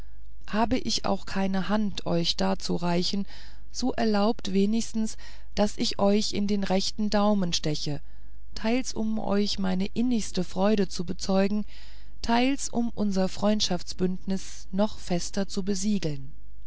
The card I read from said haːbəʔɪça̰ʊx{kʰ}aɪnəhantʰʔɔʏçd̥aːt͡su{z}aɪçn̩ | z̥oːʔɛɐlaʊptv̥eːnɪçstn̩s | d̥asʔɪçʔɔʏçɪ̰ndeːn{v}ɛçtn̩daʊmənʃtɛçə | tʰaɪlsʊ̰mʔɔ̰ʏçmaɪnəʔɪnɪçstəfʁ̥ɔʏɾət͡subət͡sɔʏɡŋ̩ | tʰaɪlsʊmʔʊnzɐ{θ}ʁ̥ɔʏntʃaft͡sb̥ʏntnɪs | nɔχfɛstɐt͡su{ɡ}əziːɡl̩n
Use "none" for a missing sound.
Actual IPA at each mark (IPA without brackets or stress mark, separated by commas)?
kʰ, ʁ, ʁ, f, b